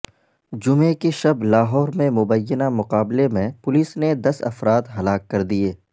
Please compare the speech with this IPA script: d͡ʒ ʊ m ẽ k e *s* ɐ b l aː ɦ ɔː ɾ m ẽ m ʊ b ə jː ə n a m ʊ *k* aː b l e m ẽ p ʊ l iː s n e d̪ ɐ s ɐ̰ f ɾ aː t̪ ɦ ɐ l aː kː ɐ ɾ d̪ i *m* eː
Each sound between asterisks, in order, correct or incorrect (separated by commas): incorrect, incorrect, incorrect